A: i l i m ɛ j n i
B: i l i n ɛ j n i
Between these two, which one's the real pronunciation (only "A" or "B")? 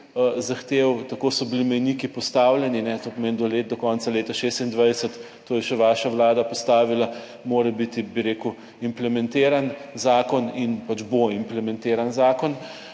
A